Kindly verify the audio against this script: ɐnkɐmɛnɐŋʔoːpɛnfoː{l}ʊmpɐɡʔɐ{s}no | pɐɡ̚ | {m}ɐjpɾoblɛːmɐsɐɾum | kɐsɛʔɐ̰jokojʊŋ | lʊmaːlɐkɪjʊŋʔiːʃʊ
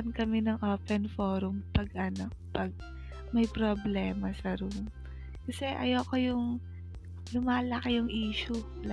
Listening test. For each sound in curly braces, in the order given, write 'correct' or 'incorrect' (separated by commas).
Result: incorrect, incorrect, correct